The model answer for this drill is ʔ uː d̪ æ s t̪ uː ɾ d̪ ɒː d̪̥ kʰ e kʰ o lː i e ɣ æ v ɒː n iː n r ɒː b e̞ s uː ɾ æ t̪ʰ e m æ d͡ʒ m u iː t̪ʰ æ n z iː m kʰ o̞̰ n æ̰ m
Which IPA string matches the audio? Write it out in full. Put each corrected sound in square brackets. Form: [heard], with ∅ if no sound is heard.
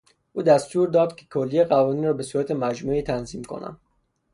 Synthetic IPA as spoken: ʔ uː d̪ æ s t̪ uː ɾ d̪ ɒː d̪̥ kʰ e kʰ o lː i e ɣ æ v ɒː n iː n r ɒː b e̞ s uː ɾ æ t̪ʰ e m æ d͡ʒ m u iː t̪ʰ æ n z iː m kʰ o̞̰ n æ̰ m